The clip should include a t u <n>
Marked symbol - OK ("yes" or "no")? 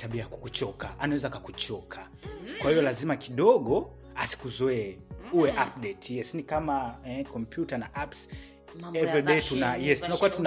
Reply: yes